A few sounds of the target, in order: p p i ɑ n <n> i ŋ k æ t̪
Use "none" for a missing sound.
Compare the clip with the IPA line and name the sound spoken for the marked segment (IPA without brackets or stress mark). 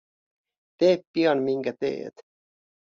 m